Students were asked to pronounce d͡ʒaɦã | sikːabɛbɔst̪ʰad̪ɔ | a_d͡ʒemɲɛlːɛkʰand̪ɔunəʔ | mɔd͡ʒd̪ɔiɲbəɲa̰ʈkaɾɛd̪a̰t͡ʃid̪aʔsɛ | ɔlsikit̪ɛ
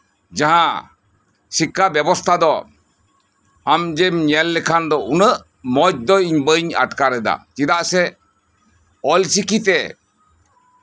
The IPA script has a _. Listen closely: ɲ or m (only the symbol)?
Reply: m